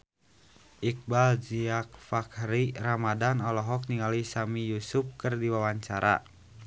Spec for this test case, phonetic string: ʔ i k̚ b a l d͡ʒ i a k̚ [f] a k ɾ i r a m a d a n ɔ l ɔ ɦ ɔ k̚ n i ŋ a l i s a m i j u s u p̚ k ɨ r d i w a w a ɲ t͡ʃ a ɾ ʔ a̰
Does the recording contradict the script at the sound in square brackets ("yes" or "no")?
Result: no